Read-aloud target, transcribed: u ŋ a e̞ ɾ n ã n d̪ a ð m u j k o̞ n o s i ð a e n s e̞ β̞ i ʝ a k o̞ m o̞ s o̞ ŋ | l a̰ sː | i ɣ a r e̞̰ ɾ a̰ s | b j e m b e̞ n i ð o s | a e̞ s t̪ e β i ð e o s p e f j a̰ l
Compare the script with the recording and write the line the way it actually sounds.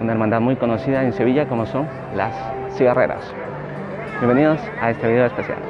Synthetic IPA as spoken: u n a e̞ ɾ m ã n d̪ a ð m u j k o̞ n o s i ð a e n s e̞ β̞ i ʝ a k o̞ m o̞ s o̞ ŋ | l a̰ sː | i ɣ a r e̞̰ ɾ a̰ s | b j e m b e̞ n i ð o s | a e̞ s t̪ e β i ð e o s p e s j a̰ l